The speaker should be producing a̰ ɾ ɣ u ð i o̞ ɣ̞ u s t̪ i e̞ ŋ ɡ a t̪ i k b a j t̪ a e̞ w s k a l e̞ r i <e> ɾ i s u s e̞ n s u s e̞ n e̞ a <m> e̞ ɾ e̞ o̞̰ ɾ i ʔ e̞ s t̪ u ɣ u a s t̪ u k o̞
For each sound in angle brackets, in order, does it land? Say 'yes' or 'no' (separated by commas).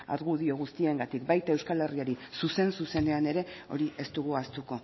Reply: no, no